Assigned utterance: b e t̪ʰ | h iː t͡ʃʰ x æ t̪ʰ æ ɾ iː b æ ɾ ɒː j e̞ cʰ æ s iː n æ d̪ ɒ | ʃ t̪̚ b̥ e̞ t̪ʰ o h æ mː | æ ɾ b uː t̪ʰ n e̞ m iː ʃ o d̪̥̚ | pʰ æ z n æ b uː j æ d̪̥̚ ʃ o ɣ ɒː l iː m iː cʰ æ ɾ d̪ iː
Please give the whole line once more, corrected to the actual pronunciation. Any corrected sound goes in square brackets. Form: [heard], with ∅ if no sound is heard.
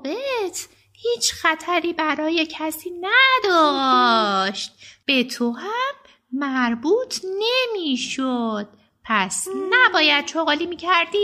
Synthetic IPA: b e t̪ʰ | h iː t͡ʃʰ x æ t̪ʰ æ ɾ iː b æ ɾ ɒː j e̞ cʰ æ s iː n æ d̪ ɒ | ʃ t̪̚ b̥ e̞ t̪ʰ o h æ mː | æ ɾ b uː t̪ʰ n e̞ m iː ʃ o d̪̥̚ | pʰ æ [s] n æ b [ɒː] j æ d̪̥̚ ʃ o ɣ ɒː l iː m iː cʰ æ ɾ d̪ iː